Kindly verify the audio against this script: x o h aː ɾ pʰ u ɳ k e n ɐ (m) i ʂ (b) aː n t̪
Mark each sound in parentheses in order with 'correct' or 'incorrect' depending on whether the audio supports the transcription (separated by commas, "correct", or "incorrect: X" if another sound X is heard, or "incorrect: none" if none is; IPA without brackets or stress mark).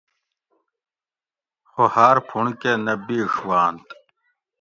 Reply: incorrect: b, incorrect: w